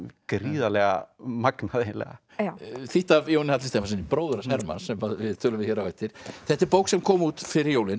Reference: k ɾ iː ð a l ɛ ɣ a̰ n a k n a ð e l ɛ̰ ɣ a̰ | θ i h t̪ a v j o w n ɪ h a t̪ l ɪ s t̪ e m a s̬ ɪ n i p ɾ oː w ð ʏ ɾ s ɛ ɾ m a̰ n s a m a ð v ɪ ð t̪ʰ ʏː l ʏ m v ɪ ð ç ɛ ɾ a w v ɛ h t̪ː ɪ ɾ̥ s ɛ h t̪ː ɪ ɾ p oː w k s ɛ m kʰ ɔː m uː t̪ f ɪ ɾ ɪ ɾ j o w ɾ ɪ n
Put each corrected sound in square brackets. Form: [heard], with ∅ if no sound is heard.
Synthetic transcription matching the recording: k ɾ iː ð a l ɛ ɣ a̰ [m] a k n a ð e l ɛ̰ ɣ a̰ | θ i h t̪ a v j o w n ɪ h a t̪ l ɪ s t̪ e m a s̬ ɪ n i p ɾ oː w ð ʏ ɾ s ɛ ɾ m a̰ n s [ɛ] m a ð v ɪ ð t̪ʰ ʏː l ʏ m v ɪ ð ç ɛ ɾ a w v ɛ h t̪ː ɪ ɾ̥ [θ] ɛ h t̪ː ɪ ɾ p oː w k s ɛ m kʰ ɔː m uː t̪ f ɪ ɾ ɪ ɾ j o w [l] ɪ n

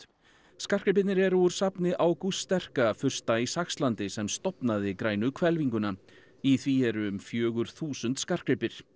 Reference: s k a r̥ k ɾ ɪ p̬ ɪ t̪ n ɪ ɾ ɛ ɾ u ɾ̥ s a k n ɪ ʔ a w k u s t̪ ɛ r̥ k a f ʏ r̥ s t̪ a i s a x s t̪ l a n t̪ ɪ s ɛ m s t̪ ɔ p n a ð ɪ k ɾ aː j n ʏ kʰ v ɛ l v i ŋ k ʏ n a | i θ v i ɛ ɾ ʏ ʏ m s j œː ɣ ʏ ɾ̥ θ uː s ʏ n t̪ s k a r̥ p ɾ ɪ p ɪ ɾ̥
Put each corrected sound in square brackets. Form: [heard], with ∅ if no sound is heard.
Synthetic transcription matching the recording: s k a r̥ k ɾ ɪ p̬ ɪ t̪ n ɪ ɾ ɛ ɾ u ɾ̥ s a [p] n ɪ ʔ a w k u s t̪ ɛ r̥ k a f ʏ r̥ s t̪ a i s a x s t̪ l a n t̪ ɪ s ɛ m s t̪ ɔ p n a ð ɪ k ɾ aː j n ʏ kʰ v ɛ l v i ŋ k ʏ n a | i θ v i ɛ ɾ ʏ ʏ m [f] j œː ɣ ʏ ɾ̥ θ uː s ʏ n t̪ s k a r̥ [k] ɾ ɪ p ɪ ɾ̥

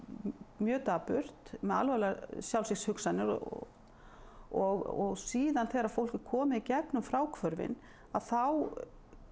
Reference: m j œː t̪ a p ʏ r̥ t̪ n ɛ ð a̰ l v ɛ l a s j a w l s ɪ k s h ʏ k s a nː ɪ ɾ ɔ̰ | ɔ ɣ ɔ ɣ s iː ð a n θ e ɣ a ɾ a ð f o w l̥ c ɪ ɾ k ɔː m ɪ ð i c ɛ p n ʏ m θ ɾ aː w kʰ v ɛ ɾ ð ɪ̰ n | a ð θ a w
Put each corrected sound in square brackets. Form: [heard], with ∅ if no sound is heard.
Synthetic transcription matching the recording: m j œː t̪ a p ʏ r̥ t̪ [m] ɛ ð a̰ l v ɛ l a s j a w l s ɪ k s h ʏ k s a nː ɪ ɾ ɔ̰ | ɔ ɣ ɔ ɣ s iː ð a n θ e ɣ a ɾ a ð f o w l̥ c ɪ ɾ [kʰ] ɔː m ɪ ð i c ɛ p n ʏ m [f] ɾ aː w kʰ v [œ] ɾ [v] ɪ̰ n | a ð θ a w

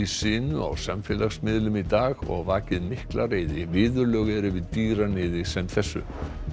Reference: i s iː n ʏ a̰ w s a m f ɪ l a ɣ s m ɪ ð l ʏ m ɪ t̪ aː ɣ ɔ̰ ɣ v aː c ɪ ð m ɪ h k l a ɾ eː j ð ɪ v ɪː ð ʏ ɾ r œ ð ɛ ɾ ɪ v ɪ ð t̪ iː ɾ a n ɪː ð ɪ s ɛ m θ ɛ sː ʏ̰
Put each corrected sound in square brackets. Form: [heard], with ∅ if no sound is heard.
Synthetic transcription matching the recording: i s [ɪː] n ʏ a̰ w s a m f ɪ l a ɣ s m ɪ ð l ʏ m [i] t̪ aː ɣ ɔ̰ ɣ v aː c ɪ ð m ɪ h k l a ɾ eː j ð ɪ v ɪː ð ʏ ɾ [l] œ [ɣ] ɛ ɾ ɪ v ɪ ð t̪ iː ɾ a n ɪː ð ɪ s ɛ m θ ɛ sː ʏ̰

